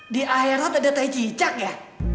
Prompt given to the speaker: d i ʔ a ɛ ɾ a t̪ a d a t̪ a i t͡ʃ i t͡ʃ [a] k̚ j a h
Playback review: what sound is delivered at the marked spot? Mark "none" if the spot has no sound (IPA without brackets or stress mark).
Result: a